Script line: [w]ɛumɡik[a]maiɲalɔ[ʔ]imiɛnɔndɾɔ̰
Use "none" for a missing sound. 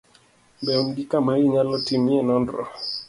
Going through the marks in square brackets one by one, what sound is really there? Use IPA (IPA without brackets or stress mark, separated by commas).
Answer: b, a, t